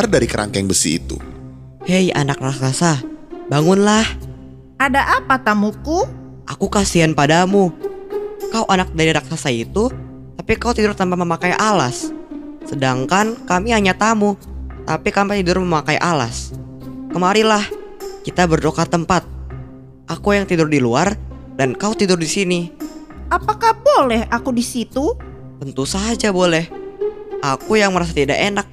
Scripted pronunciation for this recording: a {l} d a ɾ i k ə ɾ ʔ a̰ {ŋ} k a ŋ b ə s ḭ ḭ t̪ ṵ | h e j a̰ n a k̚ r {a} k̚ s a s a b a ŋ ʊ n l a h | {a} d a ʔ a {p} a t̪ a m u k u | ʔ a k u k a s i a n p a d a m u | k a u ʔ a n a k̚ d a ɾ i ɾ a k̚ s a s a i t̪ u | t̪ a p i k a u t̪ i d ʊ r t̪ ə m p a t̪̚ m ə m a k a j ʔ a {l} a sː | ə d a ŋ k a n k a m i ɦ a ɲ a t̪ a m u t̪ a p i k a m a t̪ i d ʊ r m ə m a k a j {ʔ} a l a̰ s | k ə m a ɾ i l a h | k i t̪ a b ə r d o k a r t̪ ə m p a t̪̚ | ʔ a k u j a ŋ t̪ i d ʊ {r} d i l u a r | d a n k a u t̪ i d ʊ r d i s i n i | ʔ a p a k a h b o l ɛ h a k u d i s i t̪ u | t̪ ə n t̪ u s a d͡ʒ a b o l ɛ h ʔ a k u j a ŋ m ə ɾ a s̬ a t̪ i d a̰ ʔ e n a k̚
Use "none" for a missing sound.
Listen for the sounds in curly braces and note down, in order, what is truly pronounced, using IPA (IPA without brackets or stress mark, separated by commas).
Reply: r, ŋ, a, a, p, l, ʔ, r